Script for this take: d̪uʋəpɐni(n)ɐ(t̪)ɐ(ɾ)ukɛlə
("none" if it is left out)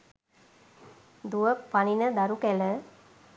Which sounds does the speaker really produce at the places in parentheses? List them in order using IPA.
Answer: n, d̪, ɾ

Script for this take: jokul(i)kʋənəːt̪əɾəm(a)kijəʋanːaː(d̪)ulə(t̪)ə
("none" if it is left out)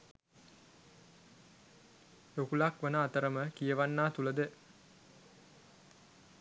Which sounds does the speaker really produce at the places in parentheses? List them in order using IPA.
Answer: a, ə, t̪, d̪

